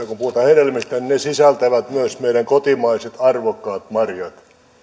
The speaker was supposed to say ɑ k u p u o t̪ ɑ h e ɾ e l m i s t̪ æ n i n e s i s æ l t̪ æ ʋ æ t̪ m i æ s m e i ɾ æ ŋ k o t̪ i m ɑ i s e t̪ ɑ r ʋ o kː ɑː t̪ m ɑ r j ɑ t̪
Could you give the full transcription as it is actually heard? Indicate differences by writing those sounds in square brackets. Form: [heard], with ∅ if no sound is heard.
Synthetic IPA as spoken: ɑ k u p u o t̪ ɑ h e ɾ e l m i s t̪ æ n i n e s i s æ l t̪ æ ʋ æ t̪ m [y] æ s m e i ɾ æ ŋ k o t̪ i m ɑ i s e t̪ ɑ r ʋ o kː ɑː t̪ m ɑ r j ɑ t̪